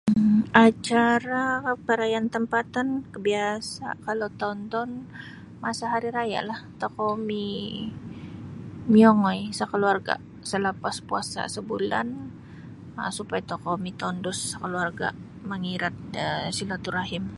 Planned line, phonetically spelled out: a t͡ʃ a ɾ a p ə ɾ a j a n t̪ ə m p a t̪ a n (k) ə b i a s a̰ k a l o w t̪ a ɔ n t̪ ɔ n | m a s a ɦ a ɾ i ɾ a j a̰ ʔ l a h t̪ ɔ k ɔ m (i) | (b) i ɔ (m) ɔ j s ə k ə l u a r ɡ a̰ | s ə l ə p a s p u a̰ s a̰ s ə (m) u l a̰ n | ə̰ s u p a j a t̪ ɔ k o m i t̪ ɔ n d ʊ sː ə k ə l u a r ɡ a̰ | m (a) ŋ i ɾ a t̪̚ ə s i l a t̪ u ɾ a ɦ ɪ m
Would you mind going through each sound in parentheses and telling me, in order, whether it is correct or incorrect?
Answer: correct, correct, incorrect: m, incorrect: ŋ, incorrect: b, incorrect: ə

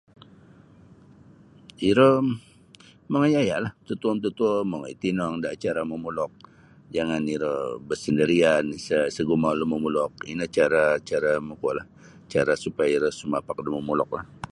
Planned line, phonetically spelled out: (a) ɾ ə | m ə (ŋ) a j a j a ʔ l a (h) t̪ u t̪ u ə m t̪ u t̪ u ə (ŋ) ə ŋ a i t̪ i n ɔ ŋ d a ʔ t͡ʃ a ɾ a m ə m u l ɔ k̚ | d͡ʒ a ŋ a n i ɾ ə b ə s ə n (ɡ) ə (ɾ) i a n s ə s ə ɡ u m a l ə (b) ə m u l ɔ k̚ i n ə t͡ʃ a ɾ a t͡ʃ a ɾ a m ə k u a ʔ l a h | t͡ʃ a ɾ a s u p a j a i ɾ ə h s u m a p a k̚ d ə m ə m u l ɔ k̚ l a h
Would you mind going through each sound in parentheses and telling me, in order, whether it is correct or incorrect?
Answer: incorrect: i, correct, correct, incorrect: m, incorrect: d, correct, incorrect: m

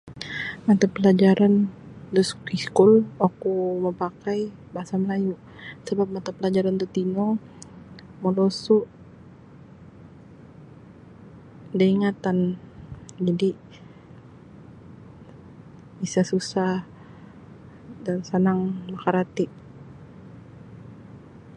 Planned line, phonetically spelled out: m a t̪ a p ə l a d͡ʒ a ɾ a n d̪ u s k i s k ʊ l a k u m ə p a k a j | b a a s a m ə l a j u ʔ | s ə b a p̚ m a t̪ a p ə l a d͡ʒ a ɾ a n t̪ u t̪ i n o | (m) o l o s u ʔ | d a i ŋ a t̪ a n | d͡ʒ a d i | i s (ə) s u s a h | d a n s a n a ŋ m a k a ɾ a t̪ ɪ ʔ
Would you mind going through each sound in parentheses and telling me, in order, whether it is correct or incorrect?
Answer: correct, incorrect: a

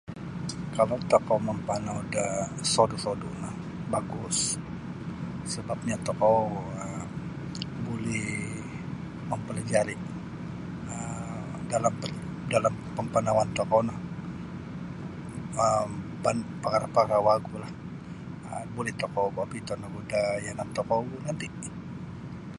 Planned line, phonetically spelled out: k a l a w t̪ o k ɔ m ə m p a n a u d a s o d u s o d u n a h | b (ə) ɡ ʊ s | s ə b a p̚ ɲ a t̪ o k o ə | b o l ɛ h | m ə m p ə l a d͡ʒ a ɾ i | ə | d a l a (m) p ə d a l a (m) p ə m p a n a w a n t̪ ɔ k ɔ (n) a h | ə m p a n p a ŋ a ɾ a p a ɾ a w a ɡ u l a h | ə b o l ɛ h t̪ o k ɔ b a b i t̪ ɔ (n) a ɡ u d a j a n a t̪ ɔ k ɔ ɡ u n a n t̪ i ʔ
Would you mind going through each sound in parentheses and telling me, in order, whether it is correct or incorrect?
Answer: incorrect: a, correct, correct, correct, correct

